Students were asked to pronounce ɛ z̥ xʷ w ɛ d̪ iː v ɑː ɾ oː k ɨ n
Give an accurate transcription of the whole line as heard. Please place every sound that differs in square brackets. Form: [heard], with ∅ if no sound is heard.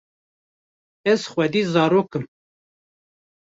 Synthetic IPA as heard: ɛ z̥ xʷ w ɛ d̪ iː [z] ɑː ɾ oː k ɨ [m]

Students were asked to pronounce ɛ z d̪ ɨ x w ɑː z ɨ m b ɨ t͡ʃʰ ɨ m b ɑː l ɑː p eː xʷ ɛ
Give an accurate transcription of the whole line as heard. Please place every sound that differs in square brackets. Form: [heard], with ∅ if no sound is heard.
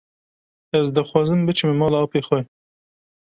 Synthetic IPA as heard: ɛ z d̪ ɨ x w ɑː z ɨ m b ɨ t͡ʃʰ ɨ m [m] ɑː l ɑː p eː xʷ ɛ

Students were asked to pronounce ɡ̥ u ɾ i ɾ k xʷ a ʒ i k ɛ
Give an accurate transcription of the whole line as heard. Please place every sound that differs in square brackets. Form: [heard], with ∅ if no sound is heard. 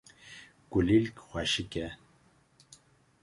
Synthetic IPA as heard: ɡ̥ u [l] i [l] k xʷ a [ʃ] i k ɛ

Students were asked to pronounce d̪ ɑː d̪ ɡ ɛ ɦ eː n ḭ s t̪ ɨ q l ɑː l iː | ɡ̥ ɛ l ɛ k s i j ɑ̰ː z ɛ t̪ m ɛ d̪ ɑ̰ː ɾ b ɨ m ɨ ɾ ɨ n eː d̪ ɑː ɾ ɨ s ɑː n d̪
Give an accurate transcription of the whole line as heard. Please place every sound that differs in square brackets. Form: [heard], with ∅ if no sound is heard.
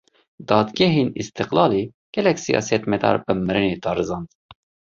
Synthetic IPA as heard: d̪ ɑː d̪ ɡ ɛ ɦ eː n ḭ s t̪ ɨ q l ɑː l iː | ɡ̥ ɛ l ɛ k s i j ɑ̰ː [s] ɛ t̪ m ɛ d̪ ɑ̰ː ɾ b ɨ m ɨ ɾ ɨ n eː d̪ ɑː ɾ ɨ [z] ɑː n d̪

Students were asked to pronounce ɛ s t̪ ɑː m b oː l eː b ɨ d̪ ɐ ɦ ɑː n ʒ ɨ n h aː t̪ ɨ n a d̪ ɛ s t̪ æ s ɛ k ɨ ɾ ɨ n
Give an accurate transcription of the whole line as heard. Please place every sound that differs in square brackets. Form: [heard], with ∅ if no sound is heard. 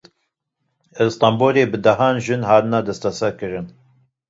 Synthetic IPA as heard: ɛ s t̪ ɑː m b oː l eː b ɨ d̪ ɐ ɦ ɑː n ʒ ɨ n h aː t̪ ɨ n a d̪ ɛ s t̪ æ s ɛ k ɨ ɾ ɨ n

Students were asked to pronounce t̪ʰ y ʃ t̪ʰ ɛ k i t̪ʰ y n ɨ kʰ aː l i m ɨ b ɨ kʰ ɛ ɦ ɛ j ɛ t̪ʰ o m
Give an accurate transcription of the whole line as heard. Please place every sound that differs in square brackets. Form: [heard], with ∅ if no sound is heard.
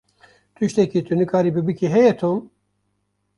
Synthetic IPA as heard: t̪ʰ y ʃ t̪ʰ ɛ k i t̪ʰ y n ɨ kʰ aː [ɾ] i [b] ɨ b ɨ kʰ [i] ɦ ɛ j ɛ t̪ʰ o m

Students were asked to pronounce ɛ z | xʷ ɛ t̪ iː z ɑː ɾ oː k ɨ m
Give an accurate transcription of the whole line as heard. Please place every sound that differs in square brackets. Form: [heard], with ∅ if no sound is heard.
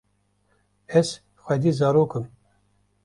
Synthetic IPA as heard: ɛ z | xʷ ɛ [d̪] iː z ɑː ɾ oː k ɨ m

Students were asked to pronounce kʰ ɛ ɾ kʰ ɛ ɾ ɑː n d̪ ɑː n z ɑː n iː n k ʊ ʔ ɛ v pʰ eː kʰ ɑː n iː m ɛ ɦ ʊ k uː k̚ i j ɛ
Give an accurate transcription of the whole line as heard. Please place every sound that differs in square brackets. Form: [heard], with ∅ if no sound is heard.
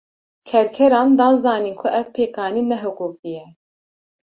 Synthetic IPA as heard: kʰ ɛ ɾ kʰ ɛ ɾ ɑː n d̪ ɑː n z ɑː n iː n [kʰ] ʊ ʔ ɛ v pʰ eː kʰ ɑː n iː [n] ɛ ɦ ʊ k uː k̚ i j ɛ

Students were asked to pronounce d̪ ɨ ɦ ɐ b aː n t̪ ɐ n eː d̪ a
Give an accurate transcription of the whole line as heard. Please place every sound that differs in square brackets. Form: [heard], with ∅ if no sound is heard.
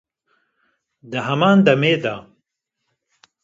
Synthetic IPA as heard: d̪ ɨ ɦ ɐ [m] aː n [d̪] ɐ [m] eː d̪ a

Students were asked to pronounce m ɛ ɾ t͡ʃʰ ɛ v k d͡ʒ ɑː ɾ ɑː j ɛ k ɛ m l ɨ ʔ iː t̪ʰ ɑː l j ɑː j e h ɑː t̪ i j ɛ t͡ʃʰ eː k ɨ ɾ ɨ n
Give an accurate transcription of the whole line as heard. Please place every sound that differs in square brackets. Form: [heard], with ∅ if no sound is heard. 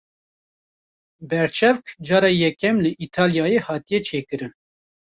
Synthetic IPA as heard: [b] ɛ ɾ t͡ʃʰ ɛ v k d͡ʒ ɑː ɾ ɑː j ɛ k ɛ m l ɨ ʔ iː t̪ʰ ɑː l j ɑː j e h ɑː t̪ i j ɛ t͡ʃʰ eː k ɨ ɾ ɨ n

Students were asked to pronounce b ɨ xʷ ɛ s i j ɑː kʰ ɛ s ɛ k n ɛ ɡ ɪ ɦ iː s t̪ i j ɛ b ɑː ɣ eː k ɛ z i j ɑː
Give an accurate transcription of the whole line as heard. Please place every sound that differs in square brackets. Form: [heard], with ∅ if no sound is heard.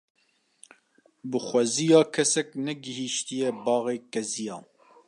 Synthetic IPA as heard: b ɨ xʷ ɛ [z] i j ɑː kʰ ɛ s ɛ k n ɛ ɡ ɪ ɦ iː [ʃ] t̪ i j ɛ b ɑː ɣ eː k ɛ z i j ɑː

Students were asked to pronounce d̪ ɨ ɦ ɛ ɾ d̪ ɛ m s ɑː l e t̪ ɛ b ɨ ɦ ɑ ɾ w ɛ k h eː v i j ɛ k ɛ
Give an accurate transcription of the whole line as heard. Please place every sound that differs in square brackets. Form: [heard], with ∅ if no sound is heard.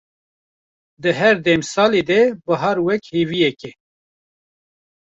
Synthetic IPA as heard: d̪ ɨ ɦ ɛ ɾ d̪ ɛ m s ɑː l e [d̪] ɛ b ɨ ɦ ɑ ɾ w ɛ k h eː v i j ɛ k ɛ

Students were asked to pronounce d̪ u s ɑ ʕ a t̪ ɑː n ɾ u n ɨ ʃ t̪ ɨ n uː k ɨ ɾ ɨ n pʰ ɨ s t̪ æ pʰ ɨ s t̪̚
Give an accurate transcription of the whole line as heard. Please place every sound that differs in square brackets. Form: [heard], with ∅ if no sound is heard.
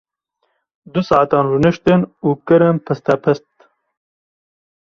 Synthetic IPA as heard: d̪ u s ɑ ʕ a t̪ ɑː n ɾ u n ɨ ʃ t̪ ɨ n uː k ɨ ɾ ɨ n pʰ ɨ s t̪ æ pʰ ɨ s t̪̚

